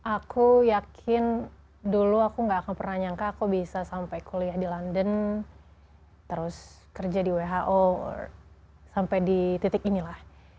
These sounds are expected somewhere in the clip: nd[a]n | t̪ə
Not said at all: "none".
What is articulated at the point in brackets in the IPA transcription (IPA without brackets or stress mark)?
ə